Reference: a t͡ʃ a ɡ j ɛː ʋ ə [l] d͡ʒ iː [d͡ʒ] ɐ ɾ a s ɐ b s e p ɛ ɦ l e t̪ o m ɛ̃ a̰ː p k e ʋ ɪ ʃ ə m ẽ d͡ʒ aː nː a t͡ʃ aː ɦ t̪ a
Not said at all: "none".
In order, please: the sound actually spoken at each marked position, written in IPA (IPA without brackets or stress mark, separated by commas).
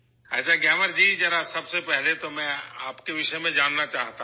ɾ, d͡ʒ